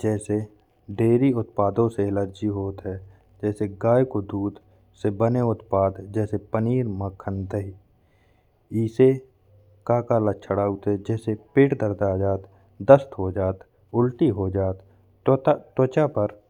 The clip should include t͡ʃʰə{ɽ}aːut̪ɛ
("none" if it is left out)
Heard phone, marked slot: ɽ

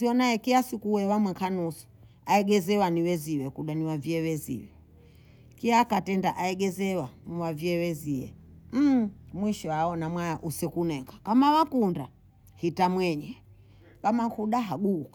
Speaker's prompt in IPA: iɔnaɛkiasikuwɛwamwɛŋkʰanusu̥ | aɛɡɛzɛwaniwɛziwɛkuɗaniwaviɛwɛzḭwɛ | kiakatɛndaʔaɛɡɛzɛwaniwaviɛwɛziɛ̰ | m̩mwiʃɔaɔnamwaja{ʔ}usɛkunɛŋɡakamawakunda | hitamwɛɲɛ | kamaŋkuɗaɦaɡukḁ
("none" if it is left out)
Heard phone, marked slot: ʔ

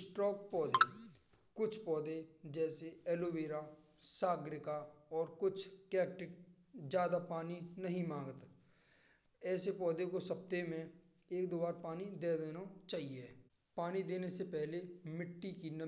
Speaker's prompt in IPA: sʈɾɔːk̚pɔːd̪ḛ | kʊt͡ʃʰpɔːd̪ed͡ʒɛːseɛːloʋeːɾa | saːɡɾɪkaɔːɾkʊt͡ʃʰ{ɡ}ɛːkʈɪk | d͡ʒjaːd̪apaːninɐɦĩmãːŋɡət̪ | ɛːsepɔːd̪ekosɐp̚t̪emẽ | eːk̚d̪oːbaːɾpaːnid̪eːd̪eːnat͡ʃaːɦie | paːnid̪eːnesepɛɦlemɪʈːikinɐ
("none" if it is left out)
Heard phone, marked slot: k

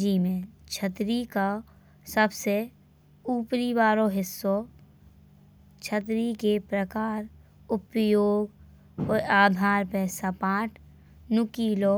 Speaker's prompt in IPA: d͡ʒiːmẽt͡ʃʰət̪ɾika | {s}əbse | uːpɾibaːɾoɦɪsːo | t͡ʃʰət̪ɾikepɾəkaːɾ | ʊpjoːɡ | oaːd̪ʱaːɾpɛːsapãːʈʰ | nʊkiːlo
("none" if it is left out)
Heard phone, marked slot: s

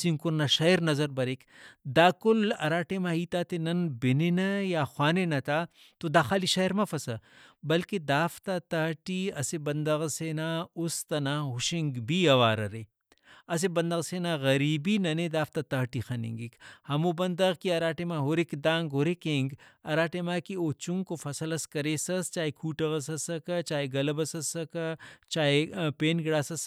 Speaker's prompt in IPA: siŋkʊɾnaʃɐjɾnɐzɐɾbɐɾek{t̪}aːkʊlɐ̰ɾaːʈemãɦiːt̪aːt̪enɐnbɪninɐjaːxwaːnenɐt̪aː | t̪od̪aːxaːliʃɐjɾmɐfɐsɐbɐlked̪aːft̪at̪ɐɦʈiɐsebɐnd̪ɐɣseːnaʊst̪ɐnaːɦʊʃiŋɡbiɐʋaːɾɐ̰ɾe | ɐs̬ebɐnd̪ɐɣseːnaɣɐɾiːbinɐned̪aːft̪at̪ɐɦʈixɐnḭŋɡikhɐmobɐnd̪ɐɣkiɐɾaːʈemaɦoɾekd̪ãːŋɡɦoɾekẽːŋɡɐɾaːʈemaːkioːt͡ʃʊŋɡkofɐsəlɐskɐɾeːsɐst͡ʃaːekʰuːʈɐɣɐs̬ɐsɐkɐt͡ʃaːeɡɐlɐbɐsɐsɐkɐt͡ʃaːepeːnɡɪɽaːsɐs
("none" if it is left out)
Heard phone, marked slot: d̪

